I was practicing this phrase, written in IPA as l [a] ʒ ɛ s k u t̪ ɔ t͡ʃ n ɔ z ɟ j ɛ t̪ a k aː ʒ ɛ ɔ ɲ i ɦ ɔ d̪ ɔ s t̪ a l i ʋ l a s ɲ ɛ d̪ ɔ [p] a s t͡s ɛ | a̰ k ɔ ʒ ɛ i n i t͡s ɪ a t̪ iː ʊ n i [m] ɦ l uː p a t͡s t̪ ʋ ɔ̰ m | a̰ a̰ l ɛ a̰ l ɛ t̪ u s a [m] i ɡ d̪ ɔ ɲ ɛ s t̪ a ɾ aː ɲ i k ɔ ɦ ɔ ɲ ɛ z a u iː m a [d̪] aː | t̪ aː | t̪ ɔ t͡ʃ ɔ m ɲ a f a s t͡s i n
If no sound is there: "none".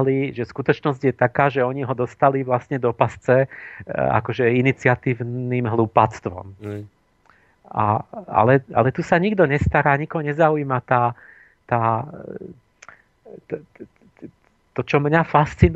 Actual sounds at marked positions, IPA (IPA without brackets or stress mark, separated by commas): i, p, m, ɲ, t̪